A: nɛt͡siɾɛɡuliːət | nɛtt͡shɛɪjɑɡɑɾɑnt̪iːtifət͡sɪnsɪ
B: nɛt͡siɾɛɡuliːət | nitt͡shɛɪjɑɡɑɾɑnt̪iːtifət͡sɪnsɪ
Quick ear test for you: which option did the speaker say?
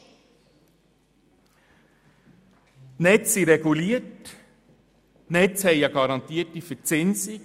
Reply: A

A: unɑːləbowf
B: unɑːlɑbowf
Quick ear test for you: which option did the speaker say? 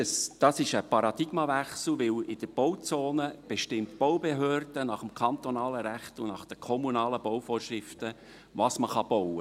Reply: A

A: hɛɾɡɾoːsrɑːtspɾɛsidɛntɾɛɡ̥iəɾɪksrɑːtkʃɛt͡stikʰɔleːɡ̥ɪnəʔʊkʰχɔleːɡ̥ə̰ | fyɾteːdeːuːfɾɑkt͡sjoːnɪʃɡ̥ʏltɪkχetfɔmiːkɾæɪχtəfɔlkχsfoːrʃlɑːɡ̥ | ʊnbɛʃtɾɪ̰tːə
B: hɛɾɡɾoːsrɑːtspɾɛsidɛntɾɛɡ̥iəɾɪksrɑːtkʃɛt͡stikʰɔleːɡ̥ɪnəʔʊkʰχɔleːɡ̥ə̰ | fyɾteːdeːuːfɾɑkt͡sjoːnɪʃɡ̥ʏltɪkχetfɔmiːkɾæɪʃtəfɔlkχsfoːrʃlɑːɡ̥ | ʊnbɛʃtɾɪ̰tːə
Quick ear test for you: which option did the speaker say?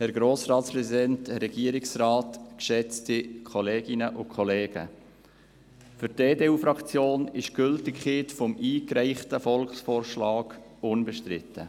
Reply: A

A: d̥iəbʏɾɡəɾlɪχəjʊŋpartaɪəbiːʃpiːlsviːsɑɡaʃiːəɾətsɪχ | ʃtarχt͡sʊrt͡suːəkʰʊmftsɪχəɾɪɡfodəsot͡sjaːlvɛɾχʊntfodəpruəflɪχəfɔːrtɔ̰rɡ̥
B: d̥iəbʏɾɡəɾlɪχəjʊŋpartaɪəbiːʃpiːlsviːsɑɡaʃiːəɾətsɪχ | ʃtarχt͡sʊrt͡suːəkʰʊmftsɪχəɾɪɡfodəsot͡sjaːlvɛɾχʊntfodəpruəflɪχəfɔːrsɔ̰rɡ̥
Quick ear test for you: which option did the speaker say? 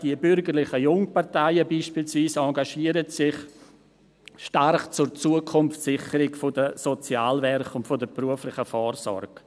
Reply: B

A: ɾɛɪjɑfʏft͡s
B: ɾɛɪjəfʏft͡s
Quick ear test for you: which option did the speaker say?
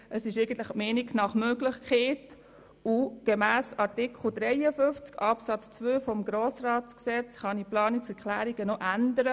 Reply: B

